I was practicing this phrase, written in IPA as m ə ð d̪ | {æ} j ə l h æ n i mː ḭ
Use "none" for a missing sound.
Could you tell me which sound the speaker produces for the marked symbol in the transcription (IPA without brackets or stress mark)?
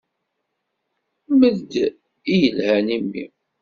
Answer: i